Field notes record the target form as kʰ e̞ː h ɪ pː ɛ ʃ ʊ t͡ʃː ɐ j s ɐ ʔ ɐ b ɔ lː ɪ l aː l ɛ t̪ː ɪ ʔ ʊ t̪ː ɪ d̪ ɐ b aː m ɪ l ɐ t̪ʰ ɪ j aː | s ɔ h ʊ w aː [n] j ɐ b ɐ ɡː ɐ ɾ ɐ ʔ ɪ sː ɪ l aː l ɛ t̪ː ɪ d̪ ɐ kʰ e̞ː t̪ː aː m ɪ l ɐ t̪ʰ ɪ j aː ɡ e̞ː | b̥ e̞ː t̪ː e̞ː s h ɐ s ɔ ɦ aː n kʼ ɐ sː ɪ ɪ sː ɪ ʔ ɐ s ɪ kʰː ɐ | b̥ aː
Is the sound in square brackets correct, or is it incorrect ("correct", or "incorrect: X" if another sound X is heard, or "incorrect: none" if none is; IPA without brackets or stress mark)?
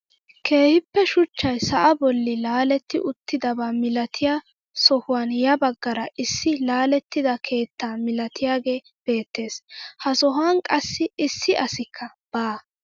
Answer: correct